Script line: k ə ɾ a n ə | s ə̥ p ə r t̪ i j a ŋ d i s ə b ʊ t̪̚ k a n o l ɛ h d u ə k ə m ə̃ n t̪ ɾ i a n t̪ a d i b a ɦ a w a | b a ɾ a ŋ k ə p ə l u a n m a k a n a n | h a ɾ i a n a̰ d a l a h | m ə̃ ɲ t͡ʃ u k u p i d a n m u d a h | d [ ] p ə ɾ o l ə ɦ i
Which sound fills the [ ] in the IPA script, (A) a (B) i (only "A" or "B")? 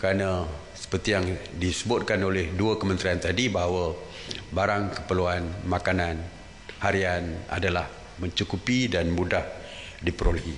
B